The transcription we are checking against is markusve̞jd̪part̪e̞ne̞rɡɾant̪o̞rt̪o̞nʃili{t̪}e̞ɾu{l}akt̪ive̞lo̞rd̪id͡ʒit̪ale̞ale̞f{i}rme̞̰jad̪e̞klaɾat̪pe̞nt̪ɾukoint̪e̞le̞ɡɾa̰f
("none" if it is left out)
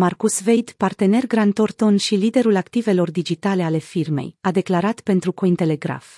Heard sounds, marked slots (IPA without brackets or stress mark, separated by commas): d̪, l, i